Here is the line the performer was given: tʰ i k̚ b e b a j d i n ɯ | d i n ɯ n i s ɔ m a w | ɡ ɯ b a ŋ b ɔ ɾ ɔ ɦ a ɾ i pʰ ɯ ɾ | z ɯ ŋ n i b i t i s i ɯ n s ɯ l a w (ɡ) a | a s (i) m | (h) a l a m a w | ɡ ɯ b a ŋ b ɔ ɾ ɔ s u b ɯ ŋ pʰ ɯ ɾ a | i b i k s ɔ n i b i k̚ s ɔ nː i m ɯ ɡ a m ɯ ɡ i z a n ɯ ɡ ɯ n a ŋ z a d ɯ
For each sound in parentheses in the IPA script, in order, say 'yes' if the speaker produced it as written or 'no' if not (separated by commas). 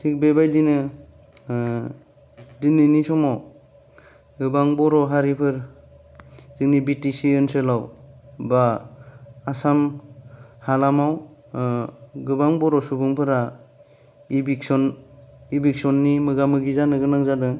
no, no, yes